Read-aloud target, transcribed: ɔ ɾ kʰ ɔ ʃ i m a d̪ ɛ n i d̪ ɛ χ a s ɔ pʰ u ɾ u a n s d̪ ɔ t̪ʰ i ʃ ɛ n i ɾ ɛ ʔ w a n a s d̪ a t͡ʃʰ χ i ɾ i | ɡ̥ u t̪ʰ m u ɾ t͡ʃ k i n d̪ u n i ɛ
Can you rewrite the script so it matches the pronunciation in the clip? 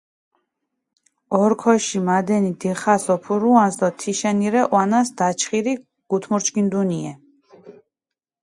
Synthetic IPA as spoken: ɔ ɾ kʰ ɔ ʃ i m a d̪ ɛ n i d̪ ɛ χ a s ɔ pʰ u ɾ u a n s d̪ ɔ t̪ʰ i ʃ ɛ n i ɾ ɛ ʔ w a n a s d̪ a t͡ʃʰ χ i ɾ i | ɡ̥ u t̪ʰ m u ɾ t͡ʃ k i n d̪ u n i ɛ